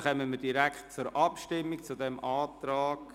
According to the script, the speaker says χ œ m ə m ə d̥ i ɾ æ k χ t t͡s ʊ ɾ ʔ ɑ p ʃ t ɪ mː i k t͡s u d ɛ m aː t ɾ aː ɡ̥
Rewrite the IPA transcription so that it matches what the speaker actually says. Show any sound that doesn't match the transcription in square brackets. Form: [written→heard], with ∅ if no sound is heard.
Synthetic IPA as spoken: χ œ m ə m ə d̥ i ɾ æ k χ t t͡s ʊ ɾ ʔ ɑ p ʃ t ɪ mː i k t͡s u d ɛ m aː t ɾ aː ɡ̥

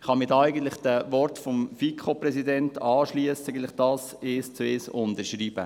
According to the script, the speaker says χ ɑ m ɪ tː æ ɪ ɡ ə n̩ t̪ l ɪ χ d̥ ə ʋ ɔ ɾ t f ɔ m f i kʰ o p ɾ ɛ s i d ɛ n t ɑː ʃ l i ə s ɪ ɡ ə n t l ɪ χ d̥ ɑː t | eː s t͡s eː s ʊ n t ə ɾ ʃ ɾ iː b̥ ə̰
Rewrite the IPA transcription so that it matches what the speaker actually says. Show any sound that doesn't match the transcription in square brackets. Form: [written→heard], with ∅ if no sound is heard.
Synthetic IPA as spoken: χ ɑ m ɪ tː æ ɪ ɡ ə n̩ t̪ l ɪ χ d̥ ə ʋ ɔ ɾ t f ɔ m f i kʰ o p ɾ ɛ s i d ɛ n t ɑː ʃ l i ə s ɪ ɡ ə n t l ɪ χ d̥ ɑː [t→s] | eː s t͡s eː s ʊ n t ə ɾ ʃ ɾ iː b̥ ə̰

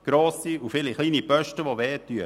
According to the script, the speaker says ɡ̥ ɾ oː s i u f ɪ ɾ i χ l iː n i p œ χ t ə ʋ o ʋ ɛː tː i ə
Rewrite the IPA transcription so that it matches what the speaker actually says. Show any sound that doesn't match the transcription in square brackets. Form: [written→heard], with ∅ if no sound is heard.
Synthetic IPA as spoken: ɡ̥ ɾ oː s i u f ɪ [ɾ→l] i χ l iː n i p œ [χ→ʃ] t ə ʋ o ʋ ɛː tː [i→y] ə

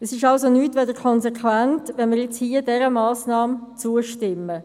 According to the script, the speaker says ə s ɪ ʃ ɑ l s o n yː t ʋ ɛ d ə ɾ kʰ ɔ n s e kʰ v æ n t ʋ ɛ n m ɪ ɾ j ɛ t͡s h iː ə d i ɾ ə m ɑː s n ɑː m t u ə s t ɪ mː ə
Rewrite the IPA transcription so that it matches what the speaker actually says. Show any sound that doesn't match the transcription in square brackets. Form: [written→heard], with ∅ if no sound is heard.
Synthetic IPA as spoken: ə s ɪ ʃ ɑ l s o n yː t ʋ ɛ d ə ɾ kʰ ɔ n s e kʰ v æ n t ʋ ɛ n m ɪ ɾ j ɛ t͡s h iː ə d [i→ɛ] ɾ ə m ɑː s n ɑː m [t→t͡s] u ə [s→ʃ] t ɪ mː ə

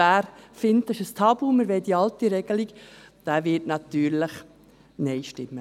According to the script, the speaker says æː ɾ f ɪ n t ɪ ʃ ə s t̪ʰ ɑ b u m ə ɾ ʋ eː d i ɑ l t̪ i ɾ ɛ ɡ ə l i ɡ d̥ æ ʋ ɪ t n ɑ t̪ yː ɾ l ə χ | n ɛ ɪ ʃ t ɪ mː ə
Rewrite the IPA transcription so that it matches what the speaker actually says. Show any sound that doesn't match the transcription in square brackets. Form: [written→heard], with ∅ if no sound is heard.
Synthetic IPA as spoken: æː ɾ f ɪ n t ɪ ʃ ə s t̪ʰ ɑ b u m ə ɾ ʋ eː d i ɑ l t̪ i ɾ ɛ ɡ ə l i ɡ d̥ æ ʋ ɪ t n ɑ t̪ yː ɾ l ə χ | n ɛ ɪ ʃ t ɪ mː ə

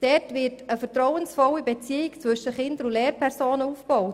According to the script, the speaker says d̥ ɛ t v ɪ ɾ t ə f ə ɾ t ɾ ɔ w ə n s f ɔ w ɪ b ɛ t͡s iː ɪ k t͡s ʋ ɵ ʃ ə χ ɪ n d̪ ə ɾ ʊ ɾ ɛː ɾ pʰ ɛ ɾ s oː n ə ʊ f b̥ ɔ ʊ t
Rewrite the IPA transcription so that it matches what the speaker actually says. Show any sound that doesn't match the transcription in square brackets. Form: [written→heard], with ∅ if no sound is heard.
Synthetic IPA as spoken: d̥ ɛ t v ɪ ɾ t ə f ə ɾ t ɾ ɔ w ə n s f ɔ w [ɪ→i] b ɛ t͡s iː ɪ k t͡s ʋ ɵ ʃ ə χ ɪ n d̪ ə ɾ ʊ [ɾ→l] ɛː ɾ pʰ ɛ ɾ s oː n ə [ʊ→u] f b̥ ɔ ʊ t

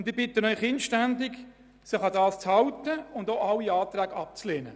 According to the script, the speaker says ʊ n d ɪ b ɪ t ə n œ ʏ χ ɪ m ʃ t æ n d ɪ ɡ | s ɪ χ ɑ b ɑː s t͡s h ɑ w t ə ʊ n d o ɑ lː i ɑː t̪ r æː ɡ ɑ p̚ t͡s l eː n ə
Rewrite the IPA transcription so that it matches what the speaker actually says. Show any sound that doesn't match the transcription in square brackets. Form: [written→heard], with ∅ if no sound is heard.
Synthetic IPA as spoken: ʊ n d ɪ b ɪ t ə n œ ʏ χ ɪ [m→n] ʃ t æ n d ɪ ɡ | s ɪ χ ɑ [b→d] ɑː s t͡s h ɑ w t ə ʊ n d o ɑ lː i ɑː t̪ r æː ɡ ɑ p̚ t͡s l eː n ə

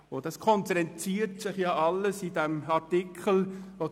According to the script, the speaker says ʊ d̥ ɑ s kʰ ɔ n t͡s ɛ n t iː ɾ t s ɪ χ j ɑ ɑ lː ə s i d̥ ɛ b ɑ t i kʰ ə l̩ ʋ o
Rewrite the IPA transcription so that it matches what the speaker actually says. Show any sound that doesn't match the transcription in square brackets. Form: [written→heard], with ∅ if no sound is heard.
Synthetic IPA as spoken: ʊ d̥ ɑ s kʰ ɔ n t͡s ɛ n [t→t͡s] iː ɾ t s ɪ χ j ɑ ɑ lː ə s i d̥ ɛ [b→m] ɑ t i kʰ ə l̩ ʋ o

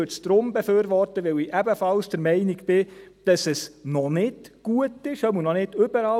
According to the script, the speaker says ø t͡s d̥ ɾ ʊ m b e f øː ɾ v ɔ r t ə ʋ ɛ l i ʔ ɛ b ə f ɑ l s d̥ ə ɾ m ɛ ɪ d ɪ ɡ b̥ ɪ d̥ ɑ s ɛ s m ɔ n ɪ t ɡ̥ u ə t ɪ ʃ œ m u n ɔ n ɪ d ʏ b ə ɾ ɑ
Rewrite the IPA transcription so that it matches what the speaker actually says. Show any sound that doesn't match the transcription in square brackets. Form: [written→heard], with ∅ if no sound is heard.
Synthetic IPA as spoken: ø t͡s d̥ ɾ ʊ m b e f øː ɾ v ɔ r t ə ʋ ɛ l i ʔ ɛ b ə f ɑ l s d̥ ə ɾ m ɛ ɪ [d→n] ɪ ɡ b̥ ɪ d̥ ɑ s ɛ s [m→n] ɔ n ɪ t ɡ̥ u ə t ɪ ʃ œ m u n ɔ n ɪ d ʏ b ə ɾ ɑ

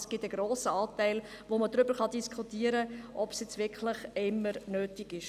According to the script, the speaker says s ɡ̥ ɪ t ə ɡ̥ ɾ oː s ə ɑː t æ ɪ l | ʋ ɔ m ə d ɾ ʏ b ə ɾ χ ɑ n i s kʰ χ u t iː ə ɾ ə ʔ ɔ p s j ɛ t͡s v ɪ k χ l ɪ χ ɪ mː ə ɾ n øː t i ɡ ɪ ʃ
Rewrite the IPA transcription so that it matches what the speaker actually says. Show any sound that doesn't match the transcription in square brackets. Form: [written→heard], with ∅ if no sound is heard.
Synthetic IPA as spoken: s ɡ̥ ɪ t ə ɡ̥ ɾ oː s ə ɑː t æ ɪ l | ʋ [ɔ→o] m ə d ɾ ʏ b ə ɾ χ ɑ [n→d] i s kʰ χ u t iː ə ɾ ə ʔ ɔ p s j ɛ t͡s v ɪ k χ l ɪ χ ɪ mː ə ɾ n øː t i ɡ ɪ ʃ

